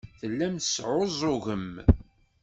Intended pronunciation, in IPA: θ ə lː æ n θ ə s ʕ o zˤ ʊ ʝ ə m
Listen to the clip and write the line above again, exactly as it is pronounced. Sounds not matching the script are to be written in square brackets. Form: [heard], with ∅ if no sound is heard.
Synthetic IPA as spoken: θ ə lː æ [m] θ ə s ʕ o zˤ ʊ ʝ ə m